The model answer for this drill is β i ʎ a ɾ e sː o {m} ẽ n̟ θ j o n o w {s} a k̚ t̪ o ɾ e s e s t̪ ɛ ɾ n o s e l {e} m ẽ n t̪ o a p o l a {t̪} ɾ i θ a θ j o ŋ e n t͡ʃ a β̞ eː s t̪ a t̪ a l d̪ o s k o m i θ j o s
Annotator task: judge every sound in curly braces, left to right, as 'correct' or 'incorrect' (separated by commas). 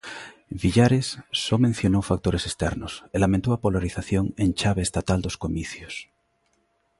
correct, incorrect, incorrect, incorrect